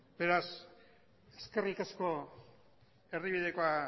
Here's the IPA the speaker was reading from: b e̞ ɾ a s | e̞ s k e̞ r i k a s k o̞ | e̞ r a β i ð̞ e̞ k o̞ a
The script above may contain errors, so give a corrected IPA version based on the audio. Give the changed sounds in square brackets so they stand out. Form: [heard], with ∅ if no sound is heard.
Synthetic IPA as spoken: b e̞ ɾ a s | e̞ s k e̞ r i k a s k o̞ | e̞ r [i] β i ð̞ e̞ k o̞ a